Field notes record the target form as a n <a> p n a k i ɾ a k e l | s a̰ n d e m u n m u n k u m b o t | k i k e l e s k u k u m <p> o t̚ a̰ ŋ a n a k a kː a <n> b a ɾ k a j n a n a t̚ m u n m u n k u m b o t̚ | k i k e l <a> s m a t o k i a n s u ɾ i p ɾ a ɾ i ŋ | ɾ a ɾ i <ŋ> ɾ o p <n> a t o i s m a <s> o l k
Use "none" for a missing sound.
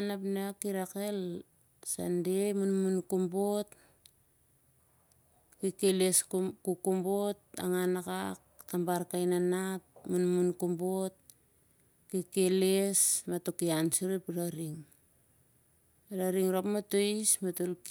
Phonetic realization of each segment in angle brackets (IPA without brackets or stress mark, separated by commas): a, b, m, e, ŋ, m, t